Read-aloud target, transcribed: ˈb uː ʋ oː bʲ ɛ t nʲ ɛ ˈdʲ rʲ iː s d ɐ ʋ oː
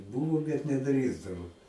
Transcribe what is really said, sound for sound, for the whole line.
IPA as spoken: ˈb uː ʋ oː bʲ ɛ t nʲ ɛ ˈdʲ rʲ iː z d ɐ ʋ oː